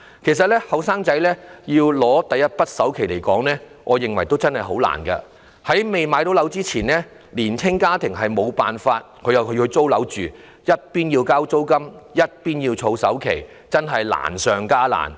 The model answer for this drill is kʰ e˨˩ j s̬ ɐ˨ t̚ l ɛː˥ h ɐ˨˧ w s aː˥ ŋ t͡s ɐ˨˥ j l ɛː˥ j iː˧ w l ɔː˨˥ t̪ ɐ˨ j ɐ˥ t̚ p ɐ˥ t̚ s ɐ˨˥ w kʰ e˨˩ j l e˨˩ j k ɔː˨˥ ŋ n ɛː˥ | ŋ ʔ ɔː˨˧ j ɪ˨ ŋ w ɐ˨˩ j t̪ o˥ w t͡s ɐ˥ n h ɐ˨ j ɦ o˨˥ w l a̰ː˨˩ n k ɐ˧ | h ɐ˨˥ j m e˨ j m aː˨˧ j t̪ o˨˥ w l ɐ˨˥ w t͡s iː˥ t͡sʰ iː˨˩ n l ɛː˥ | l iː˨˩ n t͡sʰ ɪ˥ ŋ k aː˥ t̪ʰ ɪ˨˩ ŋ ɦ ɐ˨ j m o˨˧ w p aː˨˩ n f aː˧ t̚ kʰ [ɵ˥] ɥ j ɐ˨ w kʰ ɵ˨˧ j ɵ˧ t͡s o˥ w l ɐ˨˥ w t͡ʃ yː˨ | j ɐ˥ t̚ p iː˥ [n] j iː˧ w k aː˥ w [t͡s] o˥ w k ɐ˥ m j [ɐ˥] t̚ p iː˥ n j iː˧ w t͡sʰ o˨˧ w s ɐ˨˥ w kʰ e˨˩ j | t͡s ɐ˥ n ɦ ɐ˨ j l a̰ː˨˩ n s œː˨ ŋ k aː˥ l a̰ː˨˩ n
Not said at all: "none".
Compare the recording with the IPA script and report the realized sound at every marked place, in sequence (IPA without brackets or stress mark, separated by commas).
ɵ˨˧, n, t͡s, ɐ˥